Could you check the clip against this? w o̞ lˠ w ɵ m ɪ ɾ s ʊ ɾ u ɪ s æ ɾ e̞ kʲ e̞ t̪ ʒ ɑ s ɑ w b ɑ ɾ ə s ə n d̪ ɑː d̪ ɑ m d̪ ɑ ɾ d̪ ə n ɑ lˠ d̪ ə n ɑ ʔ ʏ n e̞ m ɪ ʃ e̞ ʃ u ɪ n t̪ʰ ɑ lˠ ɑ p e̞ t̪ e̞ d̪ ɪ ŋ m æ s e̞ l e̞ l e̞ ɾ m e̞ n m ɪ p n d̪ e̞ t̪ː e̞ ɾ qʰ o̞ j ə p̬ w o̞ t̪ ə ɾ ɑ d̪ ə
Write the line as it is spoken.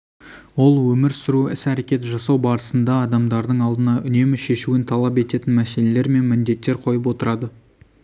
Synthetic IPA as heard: w o̞ lˠ w ɵ m ɪ ɾ s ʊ ɾ u ɪ s æ ɾ e̞ kʲ e̞ t̪ ʒ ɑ s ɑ w b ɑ ɾ ə s ə n d̪ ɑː d̪ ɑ m d̪ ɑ ɾ d̪ ə ɴ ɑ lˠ d̪ ə n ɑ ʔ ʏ n e̞ m ɪ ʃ e̞ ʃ u ɪ n t̪ʰ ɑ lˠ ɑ p e̞ t̪ e̞ t̪ ɪ n m æ s e̞ l e̞ l e̞ ɾ m e̞ n m ɪ n d̪ e̞ t̪ː e̞ ɾ qʰ o̞ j ə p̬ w o̞ t̪ ə ɾ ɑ d̪ ə